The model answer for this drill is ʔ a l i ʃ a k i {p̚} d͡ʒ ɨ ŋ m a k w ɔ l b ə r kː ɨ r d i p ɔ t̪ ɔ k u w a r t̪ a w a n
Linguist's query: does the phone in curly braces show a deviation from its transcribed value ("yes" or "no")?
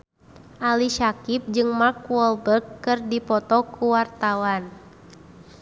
no